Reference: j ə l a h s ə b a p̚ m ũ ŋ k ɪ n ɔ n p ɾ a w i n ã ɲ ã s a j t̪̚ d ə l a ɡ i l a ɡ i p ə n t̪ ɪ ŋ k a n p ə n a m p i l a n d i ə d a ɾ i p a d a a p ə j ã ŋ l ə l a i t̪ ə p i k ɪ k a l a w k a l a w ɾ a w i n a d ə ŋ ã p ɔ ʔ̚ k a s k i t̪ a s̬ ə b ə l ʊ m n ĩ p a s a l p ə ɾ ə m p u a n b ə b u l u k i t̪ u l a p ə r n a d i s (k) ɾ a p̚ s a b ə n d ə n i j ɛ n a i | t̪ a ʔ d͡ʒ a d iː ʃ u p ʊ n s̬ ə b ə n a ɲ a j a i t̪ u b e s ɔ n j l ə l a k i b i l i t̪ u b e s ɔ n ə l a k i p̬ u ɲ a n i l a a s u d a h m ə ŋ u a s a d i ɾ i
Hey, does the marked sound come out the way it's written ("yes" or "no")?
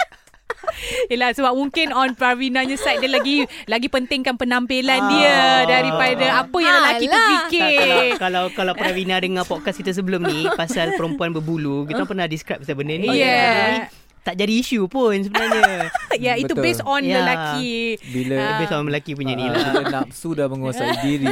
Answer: yes